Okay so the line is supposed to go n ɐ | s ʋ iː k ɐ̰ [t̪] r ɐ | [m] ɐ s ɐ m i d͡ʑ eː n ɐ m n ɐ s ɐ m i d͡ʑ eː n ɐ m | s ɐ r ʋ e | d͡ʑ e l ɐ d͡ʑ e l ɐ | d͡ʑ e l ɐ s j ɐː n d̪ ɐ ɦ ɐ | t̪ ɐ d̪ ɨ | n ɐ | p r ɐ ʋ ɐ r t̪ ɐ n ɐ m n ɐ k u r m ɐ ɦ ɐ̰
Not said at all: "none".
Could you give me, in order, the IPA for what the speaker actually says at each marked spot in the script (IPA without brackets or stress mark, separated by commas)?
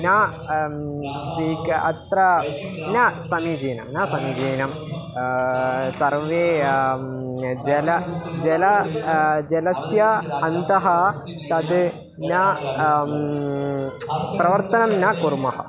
t̪, n